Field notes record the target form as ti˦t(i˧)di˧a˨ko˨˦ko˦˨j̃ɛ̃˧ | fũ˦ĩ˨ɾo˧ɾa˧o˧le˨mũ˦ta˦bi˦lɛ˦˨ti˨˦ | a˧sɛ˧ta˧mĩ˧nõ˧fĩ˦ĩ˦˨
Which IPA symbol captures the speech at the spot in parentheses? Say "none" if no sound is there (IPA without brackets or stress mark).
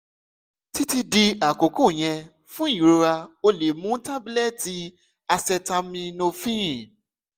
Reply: i˧